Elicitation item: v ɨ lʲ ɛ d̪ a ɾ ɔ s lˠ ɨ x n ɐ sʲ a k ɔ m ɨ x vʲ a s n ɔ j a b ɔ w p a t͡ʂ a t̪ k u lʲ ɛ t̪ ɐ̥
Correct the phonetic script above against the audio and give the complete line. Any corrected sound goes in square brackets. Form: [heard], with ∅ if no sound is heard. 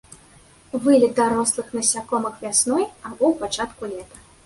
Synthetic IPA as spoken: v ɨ lʲ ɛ d̪ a ɾ ɔ s lˠ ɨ x n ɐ sʲ a k ɔ m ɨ x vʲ a s n ɔ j a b ɔ w p a t͡ʂ a t̪ k u lʲ ɛ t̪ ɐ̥